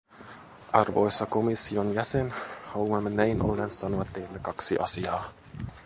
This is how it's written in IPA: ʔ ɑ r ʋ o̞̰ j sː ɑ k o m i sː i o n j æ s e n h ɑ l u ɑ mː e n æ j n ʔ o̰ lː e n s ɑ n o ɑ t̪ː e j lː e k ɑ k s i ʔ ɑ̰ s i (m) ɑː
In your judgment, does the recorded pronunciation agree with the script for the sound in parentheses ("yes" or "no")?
no